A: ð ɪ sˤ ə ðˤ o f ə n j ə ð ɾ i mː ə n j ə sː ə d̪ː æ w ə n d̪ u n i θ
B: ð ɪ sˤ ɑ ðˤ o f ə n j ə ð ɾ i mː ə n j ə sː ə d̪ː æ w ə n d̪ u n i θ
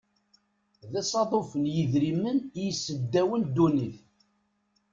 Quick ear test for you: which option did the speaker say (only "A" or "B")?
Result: B